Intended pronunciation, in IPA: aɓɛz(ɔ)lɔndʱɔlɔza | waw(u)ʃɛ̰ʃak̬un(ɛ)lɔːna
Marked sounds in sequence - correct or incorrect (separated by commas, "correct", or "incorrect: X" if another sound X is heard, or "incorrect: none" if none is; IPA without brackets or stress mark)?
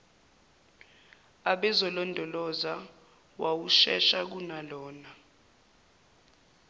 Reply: correct, correct, incorrect: a